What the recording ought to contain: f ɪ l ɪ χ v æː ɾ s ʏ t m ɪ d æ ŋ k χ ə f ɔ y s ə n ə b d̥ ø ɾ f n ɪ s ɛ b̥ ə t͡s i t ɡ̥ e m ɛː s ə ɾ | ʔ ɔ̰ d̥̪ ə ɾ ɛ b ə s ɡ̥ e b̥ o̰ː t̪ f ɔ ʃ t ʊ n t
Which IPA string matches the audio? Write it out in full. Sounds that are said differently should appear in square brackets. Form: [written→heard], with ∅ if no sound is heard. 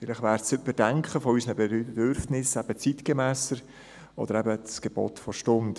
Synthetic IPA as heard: f ɪ l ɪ χ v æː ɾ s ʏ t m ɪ d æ ŋ k χ ə f ɔ y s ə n ə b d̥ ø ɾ f n ɪ s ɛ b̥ ə t͡s i t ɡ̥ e m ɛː s ə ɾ | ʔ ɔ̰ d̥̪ ə ɾ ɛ b ə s ɡ̥ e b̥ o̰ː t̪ f ɔ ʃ t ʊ n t